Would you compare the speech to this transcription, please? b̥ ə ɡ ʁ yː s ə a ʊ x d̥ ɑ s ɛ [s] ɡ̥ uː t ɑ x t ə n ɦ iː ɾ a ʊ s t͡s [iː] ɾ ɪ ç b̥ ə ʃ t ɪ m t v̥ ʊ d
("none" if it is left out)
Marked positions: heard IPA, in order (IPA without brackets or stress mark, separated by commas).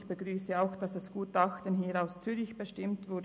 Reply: s, yː